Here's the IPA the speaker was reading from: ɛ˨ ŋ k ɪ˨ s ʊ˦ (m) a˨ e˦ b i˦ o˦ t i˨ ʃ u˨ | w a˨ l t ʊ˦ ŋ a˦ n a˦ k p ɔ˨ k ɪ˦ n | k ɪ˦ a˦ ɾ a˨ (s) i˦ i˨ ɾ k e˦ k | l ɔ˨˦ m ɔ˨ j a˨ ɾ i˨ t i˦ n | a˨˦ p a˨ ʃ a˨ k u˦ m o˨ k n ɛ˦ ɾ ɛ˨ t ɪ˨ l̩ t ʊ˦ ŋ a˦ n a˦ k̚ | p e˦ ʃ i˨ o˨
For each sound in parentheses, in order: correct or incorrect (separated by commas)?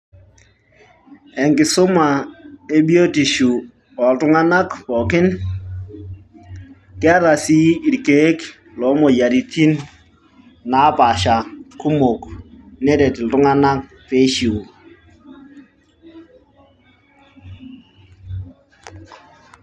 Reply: correct, correct